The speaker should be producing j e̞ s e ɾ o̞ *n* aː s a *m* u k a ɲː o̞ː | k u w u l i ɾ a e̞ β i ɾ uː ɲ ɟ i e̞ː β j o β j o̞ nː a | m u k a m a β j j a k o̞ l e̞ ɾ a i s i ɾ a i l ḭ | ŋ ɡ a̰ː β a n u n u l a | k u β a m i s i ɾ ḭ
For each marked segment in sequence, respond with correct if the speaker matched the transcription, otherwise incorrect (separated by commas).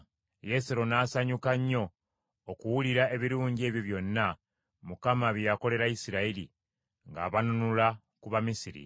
correct, incorrect